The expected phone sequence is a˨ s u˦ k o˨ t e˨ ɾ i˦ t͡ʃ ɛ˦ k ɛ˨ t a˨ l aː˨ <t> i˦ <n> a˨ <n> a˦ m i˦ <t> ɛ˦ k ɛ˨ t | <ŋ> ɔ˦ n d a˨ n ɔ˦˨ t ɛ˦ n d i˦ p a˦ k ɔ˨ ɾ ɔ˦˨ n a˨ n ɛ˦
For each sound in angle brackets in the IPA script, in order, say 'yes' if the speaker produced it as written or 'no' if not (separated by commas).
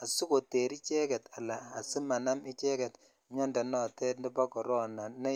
no, no, yes, no, no